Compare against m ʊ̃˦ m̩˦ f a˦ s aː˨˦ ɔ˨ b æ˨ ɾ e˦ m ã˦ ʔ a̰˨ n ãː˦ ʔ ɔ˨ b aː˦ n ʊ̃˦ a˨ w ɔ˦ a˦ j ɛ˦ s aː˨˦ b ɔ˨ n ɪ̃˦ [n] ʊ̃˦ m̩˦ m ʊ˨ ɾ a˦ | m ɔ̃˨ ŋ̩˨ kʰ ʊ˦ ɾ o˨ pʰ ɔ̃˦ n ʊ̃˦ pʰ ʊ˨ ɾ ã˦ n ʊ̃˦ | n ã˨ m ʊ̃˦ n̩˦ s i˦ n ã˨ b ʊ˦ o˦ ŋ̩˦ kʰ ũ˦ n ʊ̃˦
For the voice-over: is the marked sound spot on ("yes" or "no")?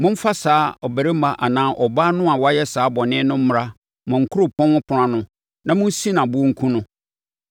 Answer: yes